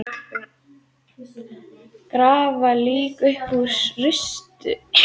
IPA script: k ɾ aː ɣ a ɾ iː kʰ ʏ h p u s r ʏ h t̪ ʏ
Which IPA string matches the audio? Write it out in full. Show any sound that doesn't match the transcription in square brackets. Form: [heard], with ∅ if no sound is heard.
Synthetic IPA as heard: k ɾ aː [v] a [l] iː [k] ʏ h p u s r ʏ [s] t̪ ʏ